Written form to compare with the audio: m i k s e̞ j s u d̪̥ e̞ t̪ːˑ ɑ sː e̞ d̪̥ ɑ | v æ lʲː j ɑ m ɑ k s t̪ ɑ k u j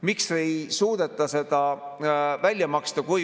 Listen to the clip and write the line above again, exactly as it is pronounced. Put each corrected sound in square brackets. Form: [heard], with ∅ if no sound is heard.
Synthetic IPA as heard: m i k s e̞ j s [uː] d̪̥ e̞ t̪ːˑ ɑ [s] e̞ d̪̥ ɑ | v æ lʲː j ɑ m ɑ k s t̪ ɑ k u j